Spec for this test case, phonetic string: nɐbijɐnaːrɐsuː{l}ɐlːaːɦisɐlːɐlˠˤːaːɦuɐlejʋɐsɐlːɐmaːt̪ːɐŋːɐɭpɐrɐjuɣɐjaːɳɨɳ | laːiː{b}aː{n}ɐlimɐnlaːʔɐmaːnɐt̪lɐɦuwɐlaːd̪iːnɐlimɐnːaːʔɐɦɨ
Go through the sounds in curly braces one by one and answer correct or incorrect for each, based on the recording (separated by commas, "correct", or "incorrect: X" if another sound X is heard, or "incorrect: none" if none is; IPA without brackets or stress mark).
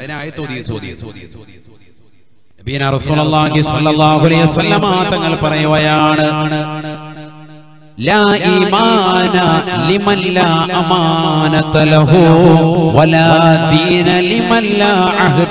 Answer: correct, incorrect: m, correct